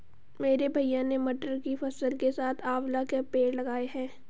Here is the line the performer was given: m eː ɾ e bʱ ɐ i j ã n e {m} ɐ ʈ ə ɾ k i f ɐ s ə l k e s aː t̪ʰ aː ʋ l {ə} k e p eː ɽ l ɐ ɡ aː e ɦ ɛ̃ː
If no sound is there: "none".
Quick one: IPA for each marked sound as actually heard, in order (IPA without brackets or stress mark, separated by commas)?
m, a